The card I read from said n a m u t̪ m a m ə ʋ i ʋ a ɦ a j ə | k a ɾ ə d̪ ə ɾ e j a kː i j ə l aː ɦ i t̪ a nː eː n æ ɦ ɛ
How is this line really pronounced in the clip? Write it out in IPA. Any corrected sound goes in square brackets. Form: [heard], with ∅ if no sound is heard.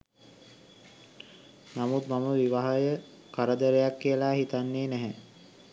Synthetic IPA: n a m u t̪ m a m ə ʋ i ʋ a ɦ a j ə | k a ɾ ə d̪ ə ɾ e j a kː i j ə l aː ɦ i t̪ a nː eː n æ ɦ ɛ